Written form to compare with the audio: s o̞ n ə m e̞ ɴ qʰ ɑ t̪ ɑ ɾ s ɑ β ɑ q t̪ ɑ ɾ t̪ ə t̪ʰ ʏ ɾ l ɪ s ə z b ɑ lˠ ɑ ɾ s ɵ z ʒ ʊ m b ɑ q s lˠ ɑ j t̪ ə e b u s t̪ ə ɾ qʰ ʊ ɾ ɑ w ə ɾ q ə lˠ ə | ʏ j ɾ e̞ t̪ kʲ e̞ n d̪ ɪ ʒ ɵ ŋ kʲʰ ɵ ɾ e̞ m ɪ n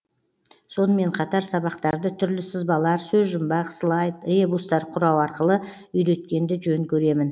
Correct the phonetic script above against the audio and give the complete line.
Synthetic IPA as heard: s o̞ n ə m e̞ ɴ qʰ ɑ t̪ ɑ ɾ s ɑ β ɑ q t̪ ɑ ɾ d̪ ə t̪ʰ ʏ ɾ l ɪ s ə z b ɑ lˠ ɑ ɾ s ɵ z ʒ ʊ m b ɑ q s lˠ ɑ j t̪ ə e b u s t̪ ɑ ɾ qʰ ʊ ɾ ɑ w ɑ ɾ q ə lˠ ə | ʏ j ɾ e̞ t̪ kʲ e̞ n d̪ ɪ ʒ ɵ ŋ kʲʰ ɵ ɾ e̞ m ɪ n

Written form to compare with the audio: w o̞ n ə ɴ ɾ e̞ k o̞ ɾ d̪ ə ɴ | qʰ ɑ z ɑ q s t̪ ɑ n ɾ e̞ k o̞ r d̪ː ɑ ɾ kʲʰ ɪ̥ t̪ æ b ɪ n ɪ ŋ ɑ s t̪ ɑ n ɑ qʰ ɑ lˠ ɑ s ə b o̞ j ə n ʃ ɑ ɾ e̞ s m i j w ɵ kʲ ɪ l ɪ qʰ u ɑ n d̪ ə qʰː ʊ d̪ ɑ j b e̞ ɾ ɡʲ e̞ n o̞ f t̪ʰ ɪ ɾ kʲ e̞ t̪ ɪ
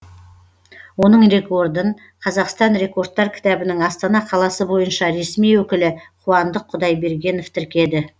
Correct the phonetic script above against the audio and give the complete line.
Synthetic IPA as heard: w o̞ n ə ɴ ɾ e̞ k o̞ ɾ d̪ ə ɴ | qʰ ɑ z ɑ q s t̪ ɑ n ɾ e̞ k o̞ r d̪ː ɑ ɾ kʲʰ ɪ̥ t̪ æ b ɪ n ɪ ŋ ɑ s t̪ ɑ n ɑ qʰ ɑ lˠ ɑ s ə b o̞ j ə n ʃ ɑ ɾ e̞ s m i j w ɵ kʲ ɪ l ɪ qʰ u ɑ n d̪ ə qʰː ʊ d̪ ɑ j b e̞ ɾ ɡʲ e̞ n o̞ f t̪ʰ ɪ ɾ kʲ e̞ d̪ ɪ

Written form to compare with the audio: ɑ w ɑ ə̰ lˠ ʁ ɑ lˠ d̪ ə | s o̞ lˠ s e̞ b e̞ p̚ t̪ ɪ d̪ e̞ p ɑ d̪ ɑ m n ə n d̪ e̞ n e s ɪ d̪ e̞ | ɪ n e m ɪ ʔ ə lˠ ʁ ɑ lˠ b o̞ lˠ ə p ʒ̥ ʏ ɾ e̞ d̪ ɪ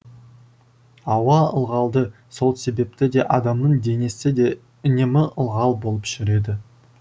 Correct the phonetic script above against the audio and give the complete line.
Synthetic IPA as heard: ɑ w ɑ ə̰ lˠ ʁ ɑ lˠ d̪ ə | s o̞ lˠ s e̞ b e̞ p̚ t̪ ɪ d̪ e̞ ʔ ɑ d̪ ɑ m n ə ɴ d̪ e̞ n e s ɪ d̪ e̞ | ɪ n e m ɪ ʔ ə lˠ ʁ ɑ lˠ b o̞ lˠ ə p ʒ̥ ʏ ɾ e̞ d̪ ɪ

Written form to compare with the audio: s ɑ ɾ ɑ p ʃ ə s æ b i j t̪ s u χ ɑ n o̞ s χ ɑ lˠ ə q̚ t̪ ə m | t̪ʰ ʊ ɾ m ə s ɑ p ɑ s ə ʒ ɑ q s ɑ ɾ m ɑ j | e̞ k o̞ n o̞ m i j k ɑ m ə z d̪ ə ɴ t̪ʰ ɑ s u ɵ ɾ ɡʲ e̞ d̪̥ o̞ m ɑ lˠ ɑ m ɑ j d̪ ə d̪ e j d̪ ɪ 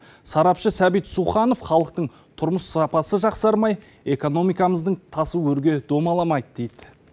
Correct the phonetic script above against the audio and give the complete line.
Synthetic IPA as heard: s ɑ ɾ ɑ p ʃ ə s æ b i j t̪ s u χ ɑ n o̞ f χ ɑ lˠ ə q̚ t̪ ə ɴ | t̪ʰ ʊ ɾ m ə s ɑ p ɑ s ə ʒ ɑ q s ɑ ɾ m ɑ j | e̞ k o̞ n o̞ m i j k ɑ m ə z d̪ ə ɴ t̪ʰ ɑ s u ɵ ɾ ɡʲ e̞ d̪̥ o̞ m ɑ lˠ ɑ m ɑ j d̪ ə d̪ e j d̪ ɪ

